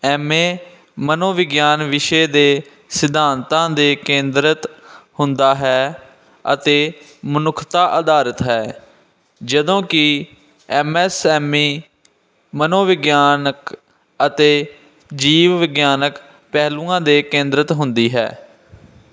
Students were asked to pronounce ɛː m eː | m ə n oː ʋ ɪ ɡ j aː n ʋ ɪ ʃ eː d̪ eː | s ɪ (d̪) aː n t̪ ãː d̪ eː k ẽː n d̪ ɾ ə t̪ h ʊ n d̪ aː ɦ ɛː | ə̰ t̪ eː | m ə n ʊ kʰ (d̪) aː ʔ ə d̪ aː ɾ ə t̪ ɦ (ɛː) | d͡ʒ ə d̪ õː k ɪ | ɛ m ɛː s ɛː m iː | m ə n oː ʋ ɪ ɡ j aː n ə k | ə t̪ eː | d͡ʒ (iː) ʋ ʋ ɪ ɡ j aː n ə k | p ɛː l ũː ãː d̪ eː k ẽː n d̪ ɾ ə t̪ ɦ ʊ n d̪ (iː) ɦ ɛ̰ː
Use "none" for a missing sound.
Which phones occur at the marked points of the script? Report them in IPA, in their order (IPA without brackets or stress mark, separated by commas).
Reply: d̪, t̪, ɛː, iː, iː